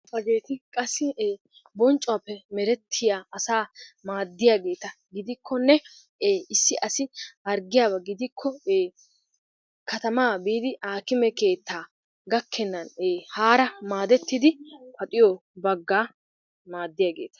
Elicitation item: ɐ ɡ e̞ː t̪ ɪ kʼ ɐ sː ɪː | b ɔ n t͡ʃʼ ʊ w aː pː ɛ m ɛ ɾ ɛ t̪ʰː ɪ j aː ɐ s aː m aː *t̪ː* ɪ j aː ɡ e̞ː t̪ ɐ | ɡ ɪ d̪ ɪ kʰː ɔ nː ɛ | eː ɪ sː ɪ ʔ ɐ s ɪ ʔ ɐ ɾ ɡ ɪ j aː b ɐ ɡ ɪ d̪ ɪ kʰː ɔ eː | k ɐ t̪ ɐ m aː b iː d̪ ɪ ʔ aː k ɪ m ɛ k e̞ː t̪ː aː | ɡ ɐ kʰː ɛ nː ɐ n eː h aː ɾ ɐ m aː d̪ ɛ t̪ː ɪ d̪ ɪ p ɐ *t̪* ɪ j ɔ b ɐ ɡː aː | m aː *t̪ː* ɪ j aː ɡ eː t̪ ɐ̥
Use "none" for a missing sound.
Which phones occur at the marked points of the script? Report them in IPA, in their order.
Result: d̪ː, t̪ʼ, d̪ː

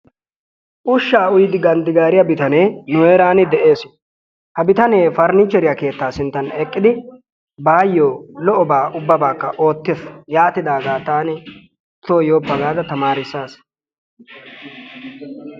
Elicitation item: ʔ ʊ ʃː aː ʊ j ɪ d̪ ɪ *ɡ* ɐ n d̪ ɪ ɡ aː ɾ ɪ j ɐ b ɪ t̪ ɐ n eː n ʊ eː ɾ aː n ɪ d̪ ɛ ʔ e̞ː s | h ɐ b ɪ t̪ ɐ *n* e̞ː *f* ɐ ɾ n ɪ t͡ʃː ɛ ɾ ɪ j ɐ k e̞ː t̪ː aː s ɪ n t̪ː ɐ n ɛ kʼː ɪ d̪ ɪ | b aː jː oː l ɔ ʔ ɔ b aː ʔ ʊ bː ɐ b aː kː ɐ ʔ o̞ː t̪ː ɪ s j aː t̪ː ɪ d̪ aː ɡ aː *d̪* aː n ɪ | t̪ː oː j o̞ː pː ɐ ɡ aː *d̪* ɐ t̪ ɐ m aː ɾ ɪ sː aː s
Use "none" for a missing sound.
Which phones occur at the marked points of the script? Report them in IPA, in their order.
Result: ɡ, n, f, t̪, d̪

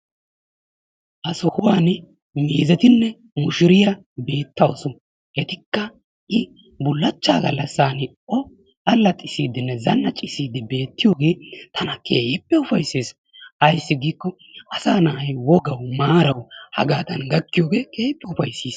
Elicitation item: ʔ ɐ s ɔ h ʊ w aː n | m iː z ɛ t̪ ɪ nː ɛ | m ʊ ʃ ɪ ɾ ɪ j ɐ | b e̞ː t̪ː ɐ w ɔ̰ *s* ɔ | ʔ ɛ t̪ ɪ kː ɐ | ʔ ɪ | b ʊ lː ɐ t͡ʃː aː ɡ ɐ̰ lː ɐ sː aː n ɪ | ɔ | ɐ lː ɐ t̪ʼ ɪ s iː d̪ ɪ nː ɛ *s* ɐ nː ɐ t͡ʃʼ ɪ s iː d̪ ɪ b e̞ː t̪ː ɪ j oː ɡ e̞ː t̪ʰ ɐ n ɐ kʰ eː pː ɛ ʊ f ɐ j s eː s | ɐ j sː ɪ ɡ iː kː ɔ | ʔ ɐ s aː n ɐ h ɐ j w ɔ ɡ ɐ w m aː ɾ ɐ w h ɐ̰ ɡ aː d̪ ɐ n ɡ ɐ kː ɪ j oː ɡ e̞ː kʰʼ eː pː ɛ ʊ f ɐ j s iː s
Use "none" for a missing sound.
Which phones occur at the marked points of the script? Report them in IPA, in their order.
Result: s, z

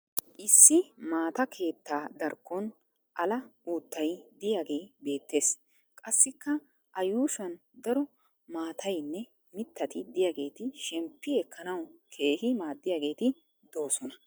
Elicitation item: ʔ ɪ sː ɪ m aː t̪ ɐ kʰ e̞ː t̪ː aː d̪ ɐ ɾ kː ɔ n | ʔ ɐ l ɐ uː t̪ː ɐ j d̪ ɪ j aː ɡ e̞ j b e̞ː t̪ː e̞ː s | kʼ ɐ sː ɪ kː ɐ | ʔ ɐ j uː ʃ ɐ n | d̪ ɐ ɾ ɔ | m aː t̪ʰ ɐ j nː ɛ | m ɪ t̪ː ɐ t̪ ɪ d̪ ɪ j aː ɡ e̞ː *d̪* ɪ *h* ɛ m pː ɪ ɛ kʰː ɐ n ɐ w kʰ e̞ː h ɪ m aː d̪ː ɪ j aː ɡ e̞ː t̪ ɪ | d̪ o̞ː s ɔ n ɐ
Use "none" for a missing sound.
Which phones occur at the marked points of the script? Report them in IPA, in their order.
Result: t̪, ʃ

